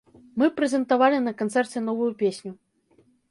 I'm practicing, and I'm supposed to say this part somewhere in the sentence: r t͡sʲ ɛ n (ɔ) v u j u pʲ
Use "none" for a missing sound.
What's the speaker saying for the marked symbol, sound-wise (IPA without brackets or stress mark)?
ɔ